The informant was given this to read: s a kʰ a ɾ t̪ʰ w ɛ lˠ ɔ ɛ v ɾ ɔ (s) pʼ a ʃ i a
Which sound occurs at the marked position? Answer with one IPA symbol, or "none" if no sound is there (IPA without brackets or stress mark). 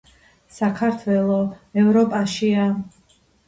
none